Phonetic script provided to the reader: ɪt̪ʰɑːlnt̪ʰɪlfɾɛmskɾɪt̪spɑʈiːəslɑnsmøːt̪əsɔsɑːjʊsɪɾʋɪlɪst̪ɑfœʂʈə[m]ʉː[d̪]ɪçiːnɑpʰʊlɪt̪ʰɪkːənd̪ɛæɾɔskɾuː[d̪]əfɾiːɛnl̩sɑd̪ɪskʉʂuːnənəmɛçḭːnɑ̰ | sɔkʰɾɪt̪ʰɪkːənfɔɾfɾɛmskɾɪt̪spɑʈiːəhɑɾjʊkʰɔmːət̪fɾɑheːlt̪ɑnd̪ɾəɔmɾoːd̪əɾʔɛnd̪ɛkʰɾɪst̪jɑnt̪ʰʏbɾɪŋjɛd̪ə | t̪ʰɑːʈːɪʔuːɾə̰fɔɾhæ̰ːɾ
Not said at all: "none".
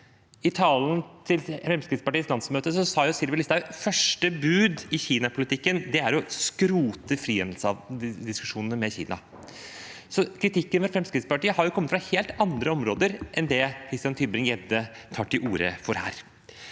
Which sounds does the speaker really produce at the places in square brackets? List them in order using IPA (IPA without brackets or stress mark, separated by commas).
b, d̪, t̪